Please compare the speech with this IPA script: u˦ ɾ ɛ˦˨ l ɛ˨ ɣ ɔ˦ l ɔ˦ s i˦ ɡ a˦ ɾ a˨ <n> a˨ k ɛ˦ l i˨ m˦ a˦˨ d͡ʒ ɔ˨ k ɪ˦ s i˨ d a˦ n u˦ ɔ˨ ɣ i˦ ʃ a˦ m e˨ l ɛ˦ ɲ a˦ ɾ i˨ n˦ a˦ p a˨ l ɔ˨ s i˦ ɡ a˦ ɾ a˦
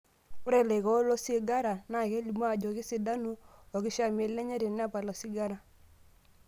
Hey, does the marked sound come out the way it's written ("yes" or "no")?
yes